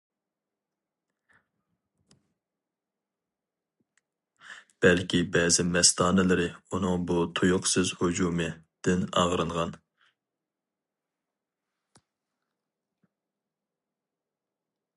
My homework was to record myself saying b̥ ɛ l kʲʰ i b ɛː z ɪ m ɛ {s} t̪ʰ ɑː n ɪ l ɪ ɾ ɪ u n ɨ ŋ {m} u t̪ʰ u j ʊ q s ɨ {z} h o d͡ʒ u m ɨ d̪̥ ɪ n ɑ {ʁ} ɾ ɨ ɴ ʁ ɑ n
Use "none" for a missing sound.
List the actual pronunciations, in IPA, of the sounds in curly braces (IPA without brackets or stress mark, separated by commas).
s, b, z, ʁ